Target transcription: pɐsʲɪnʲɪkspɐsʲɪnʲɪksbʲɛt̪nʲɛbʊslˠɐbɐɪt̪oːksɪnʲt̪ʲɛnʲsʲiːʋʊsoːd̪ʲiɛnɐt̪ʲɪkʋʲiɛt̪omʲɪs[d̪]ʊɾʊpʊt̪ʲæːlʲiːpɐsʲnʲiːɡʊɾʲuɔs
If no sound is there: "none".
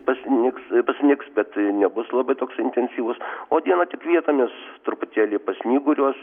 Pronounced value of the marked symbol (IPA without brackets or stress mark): t̪